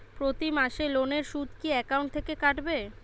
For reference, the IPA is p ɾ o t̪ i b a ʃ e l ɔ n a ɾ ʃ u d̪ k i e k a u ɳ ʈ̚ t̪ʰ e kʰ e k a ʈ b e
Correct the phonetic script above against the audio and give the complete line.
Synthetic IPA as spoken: p ɾ o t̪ i m a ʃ e l o n e ɾ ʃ u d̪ k i ɛ k a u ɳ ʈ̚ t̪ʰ e k e k a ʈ b e